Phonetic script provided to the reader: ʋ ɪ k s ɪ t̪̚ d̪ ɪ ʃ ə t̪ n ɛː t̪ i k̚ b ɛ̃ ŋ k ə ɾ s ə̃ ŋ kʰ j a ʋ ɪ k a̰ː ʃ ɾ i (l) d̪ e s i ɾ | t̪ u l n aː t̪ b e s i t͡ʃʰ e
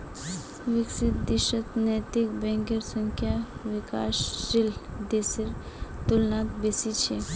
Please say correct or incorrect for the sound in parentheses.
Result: correct